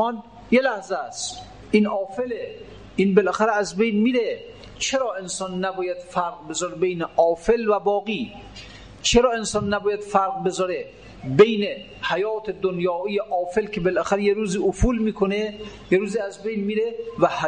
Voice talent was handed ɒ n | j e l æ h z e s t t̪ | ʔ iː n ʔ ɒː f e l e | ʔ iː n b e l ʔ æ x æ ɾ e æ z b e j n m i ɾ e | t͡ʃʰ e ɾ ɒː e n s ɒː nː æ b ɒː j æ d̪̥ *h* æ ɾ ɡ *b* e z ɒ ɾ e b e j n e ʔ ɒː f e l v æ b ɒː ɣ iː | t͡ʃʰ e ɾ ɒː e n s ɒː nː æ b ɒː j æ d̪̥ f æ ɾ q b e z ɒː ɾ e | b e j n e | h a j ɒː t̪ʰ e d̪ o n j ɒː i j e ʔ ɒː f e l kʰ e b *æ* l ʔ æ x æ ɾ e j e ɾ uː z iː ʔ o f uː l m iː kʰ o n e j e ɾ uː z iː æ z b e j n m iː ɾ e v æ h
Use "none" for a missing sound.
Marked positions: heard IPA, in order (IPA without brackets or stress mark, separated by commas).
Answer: f, b, e